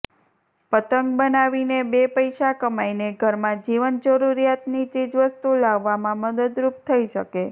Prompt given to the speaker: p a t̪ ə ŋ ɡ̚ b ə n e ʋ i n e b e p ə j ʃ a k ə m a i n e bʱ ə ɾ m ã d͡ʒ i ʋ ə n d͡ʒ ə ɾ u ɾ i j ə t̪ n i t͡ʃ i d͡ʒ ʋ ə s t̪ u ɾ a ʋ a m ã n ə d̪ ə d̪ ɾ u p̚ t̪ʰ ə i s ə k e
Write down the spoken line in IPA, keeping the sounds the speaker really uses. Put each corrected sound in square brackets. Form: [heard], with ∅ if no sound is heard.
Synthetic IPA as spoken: p [ə] t̪ ə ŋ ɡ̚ b ə n [a] ʋ i n e b e p ə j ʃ a k ə m a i n e [ɡʱ] ə ɾ m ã d͡ʒ i ʋ ə n d͡ʒ ə ɾ u ɾ i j [a] t̪ n i t͡ʃ i d͡ʒ ʋ ə s t̪ u [l] a [ʋː] a m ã [m] ə d̪ ə d̪ ɾ u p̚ t̪ʰ ə i [ʃ] ə k e